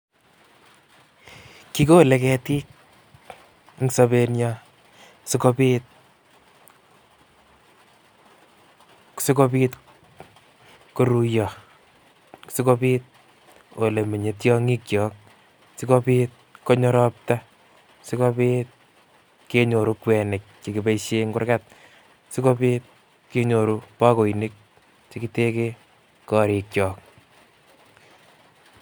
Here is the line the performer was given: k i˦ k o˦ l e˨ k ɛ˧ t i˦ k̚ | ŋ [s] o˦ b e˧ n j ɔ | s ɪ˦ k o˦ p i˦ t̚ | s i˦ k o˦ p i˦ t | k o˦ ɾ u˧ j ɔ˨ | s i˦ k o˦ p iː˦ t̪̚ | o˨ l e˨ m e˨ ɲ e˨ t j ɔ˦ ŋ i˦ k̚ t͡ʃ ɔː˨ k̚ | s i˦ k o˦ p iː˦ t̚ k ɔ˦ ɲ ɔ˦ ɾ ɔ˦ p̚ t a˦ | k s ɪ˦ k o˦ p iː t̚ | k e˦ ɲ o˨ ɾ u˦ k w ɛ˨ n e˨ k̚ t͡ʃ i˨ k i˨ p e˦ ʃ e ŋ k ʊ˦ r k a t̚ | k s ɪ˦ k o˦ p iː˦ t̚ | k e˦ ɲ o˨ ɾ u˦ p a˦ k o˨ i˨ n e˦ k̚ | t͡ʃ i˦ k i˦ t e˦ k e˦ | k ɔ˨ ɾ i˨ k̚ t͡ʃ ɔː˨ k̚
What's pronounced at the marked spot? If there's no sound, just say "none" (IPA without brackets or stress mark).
s